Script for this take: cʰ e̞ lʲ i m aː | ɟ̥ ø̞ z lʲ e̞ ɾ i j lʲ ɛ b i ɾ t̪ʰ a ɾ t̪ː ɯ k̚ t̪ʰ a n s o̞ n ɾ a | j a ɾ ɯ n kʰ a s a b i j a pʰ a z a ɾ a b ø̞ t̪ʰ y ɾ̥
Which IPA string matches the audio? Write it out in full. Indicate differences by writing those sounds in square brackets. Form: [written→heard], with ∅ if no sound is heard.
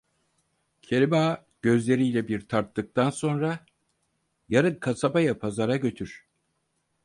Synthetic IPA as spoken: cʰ e̞ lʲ i m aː | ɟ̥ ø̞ z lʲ e̞ ɾ i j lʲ ɛ b i ɾ t̪ʰ a ɾ t̪ː ɯ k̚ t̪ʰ a n s o̞ n ɾ a | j a ɾ ɯ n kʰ a s a b [i→a] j a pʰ a z a ɾ a [b→ɟ] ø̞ t̪ʰ y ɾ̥